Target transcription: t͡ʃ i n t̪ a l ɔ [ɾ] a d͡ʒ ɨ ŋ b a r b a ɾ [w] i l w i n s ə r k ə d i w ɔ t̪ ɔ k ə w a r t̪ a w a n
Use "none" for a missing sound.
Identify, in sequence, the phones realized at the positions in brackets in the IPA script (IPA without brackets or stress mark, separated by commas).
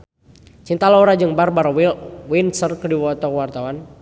ɾ, w